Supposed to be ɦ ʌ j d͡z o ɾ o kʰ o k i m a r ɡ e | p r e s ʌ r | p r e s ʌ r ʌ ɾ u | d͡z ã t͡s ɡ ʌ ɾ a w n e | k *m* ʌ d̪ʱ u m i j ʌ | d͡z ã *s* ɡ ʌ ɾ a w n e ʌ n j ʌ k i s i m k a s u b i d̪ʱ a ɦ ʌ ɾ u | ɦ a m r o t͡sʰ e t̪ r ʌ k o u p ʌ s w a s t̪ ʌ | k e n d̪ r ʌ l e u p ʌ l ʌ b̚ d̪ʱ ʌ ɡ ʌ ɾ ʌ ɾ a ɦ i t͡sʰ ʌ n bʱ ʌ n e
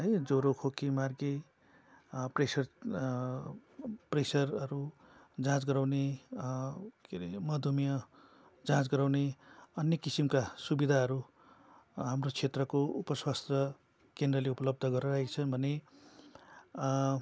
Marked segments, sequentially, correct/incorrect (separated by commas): correct, incorrect